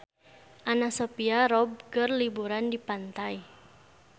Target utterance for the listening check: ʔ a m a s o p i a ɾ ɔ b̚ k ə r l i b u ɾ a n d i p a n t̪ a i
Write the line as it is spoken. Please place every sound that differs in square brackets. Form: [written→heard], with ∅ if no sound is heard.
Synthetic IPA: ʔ a [m→n] a s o p i a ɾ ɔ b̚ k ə r l i b u ɾ a n d i p a n t̪ a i